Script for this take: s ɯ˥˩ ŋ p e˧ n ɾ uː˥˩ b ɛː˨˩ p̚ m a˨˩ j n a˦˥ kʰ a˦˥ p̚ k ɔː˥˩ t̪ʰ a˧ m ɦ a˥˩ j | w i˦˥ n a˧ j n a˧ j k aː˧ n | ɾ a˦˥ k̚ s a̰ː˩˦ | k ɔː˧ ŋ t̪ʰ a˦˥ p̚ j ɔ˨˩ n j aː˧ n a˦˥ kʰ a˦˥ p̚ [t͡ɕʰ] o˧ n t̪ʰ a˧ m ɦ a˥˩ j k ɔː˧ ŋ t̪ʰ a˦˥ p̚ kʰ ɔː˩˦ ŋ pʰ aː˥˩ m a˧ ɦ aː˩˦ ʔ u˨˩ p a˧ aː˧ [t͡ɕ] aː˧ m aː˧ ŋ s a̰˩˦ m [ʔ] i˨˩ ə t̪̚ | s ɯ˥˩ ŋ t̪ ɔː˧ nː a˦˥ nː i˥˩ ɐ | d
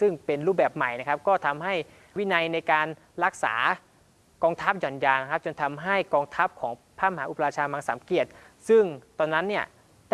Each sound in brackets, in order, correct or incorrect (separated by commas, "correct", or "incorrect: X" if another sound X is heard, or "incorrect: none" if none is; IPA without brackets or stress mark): incorrect: t͡ɕ, incorrect: t͡ɕʰ, incorrect: k